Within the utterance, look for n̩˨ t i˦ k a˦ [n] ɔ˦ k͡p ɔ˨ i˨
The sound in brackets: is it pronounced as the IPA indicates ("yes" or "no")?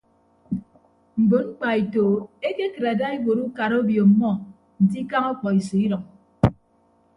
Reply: no